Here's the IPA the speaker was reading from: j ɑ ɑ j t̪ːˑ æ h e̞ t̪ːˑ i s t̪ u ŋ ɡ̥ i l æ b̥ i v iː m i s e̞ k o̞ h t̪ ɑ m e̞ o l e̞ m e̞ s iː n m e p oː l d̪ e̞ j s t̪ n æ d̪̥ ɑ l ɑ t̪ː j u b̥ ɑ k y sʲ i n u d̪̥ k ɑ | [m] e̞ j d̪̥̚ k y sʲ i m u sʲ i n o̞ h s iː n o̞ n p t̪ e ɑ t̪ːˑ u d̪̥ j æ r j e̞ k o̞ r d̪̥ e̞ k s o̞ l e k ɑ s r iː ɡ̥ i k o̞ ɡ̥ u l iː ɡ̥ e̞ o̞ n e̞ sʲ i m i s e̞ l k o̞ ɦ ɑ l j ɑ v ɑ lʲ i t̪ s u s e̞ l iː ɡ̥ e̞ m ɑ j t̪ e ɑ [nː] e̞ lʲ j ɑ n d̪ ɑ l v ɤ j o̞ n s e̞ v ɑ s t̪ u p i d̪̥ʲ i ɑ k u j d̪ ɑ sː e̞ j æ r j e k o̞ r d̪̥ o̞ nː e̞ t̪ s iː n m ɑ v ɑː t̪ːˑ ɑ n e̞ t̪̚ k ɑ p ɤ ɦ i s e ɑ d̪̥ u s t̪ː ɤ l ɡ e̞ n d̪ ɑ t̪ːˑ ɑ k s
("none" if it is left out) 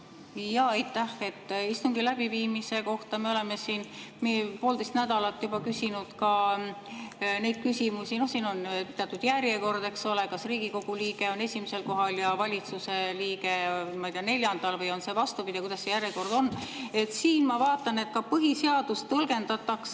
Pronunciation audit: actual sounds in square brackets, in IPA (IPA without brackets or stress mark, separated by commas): n, n